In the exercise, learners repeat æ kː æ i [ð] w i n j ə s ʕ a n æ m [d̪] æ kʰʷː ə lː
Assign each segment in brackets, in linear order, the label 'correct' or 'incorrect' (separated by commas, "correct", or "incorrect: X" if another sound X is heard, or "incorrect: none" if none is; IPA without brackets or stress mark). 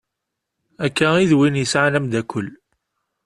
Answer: correct, correct